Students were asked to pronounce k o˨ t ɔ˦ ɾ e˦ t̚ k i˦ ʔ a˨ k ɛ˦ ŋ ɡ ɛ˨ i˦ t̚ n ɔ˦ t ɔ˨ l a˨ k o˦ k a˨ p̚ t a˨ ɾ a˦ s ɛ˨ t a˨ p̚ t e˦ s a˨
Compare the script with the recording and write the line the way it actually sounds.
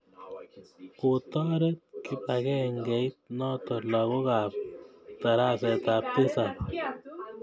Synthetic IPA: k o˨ t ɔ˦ ɾ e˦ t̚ k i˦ p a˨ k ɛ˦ ŋ ɡ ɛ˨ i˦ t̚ n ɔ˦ t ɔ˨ l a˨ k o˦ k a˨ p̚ t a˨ ɾ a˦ s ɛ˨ t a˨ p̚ t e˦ s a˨

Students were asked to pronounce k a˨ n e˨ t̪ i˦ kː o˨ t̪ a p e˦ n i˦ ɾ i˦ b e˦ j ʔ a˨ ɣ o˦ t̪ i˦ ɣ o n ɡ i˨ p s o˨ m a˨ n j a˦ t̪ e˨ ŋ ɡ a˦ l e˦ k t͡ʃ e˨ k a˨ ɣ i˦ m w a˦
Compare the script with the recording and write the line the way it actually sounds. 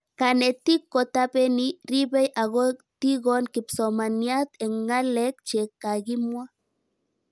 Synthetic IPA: k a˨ n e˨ t̪ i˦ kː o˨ t̪ a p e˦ n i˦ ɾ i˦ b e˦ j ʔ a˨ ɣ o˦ t̪ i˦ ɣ o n k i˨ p s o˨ m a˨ n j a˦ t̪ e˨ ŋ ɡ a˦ l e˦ k t͡ʃ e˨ k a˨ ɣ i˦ m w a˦

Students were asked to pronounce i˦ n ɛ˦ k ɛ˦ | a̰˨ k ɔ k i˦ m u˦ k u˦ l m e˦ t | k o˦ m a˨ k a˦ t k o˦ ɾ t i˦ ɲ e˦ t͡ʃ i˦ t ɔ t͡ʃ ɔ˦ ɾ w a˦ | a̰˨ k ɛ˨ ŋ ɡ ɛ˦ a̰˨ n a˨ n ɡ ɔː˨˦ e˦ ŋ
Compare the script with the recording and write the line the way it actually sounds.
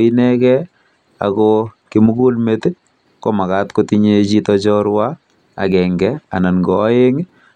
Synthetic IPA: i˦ n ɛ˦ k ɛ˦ | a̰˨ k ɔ k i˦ m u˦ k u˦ l m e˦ t | k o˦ m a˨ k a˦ t k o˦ t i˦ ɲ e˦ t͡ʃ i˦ t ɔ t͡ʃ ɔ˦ ɾ w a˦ | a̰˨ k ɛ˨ ŋ ɡ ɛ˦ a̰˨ n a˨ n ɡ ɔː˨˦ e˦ ŋ

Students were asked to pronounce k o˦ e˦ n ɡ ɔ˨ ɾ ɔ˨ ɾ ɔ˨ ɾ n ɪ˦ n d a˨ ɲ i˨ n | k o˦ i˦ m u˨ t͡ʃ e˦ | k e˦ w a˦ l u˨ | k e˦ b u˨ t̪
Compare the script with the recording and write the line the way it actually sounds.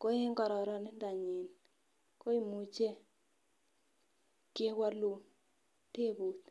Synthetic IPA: k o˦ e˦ ŋ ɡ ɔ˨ ɾ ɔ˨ ɾ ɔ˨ n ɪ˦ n d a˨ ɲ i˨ n | k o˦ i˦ m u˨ t͡ʃ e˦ | k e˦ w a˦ l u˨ | t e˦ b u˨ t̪

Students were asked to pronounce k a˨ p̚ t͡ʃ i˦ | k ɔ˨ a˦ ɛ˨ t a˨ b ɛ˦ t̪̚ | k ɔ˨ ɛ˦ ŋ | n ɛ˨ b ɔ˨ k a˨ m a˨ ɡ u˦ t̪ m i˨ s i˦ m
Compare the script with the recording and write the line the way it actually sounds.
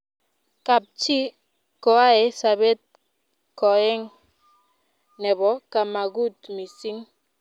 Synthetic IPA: k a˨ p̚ t͡ʃ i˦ | k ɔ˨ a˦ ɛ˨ s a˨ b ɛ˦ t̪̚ | k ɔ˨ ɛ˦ ŋ | n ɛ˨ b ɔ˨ k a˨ m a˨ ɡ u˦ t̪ m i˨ s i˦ ŋ

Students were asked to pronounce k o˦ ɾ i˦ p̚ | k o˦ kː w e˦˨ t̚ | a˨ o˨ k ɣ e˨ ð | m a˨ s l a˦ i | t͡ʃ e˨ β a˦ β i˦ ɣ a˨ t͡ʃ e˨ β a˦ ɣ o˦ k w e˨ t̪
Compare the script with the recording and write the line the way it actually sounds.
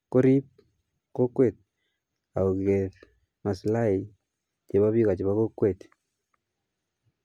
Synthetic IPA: k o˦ ɾ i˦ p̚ | k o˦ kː w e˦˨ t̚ | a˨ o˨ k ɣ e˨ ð | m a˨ s l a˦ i | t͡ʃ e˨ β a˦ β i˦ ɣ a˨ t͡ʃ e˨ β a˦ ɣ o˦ k w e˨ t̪

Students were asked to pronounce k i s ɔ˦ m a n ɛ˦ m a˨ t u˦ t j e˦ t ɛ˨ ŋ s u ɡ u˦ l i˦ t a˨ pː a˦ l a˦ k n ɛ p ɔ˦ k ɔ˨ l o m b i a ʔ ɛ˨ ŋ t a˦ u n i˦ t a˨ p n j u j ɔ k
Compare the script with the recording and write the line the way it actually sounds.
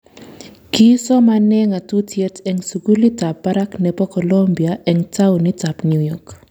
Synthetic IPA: k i s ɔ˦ m a n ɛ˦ ŋ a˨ t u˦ t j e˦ t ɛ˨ ŋ s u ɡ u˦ l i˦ t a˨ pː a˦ ɾ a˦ k n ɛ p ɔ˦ k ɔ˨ l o m b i a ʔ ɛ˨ ŋ t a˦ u n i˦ t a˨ p n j u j ɔ k

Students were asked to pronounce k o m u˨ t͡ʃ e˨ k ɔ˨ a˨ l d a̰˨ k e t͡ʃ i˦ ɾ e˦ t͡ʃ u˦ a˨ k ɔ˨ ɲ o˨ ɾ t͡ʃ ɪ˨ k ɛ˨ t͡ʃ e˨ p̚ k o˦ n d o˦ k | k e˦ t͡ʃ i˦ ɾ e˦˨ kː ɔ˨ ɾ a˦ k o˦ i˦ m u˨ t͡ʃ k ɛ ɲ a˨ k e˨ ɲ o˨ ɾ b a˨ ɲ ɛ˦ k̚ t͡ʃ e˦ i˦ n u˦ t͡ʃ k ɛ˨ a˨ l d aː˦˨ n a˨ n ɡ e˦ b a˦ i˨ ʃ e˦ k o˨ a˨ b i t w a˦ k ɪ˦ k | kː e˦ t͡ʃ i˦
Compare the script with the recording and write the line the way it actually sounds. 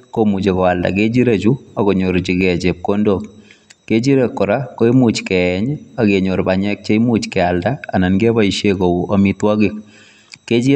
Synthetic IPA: k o m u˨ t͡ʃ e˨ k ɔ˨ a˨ l d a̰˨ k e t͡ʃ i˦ ɾ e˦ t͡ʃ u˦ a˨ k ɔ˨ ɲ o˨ ɾ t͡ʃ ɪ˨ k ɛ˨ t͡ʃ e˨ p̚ k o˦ n d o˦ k | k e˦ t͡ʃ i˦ ɾ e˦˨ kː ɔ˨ ɾ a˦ k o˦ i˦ m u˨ t͡ʃ k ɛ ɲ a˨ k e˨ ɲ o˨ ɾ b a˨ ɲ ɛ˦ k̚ t͡ʃ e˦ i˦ m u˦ t͡ʃ k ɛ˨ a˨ l d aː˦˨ n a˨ n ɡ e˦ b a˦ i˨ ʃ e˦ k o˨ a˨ m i t w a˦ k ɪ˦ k | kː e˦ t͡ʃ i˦

